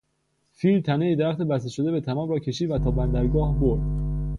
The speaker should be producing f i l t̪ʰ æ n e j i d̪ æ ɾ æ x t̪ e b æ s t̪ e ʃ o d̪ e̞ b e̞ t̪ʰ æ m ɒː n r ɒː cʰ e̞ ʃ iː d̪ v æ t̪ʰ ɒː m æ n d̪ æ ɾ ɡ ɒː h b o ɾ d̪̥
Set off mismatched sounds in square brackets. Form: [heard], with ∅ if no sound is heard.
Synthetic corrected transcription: f i l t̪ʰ æ n e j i d̪ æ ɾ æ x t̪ e b æ s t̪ e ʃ o d̪ e̞ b e̞ t̪ʰ æ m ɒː [m] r ɒː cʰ e̞ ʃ iː d̪ v æ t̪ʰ ɒː [b] æ n d̪ æ ɾ ɡ ɒː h b o ɾ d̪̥